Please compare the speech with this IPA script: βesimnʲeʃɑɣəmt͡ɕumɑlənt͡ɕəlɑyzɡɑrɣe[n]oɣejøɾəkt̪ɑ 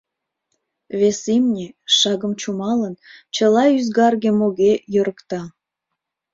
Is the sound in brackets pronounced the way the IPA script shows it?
no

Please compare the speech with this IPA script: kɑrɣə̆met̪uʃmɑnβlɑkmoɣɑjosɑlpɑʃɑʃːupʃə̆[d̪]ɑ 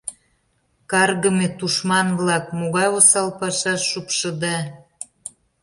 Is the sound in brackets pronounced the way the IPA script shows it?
yes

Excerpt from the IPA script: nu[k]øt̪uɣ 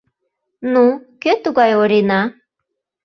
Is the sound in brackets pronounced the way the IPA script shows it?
yes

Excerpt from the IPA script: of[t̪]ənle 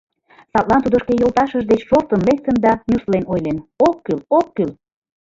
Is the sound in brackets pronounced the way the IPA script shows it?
yes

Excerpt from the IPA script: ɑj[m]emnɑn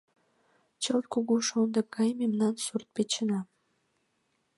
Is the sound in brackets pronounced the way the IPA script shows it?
yes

